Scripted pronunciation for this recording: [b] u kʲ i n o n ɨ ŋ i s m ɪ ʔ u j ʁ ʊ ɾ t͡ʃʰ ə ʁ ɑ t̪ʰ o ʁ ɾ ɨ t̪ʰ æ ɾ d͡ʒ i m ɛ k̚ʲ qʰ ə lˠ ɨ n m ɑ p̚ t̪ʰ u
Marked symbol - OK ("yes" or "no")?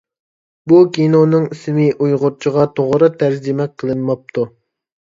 yes